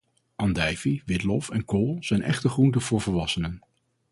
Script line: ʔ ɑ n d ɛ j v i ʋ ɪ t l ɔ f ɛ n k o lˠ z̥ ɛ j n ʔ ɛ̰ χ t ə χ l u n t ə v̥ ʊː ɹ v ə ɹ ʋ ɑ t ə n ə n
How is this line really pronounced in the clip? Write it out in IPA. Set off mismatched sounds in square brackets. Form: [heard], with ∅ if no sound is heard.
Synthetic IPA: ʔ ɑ n d ɛ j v i ʋ ɪ t l ɔ f ɛ n k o lˠ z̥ ɛ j n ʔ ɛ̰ χ t ə χ [r] u n t ə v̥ ʊː ɹ v ə ɹ ʋ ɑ [s] ə n ə n